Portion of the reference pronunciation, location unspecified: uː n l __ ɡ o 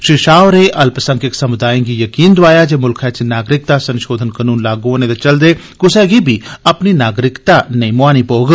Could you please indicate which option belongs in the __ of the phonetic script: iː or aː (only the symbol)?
aː